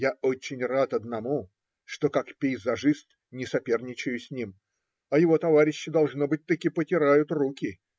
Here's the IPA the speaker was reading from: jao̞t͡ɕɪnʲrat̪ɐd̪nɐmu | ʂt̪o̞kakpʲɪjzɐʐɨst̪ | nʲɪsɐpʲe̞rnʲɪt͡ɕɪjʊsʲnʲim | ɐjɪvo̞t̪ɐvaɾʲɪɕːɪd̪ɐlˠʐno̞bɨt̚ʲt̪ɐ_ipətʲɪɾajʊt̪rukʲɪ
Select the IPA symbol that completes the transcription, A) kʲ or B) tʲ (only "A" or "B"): A